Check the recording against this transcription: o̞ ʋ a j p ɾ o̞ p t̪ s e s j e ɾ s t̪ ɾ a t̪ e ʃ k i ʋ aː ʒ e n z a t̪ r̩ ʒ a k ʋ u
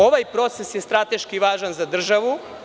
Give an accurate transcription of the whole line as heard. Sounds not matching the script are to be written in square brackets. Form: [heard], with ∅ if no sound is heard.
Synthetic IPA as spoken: o̞ ʋ a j p ɾ o̞ [∅] t̪ s e s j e [∅] s t̪ ɾ a t̪ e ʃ k i ʋ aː ʒ [a] n z a [d̪] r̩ ʒ a [∅] ʋ u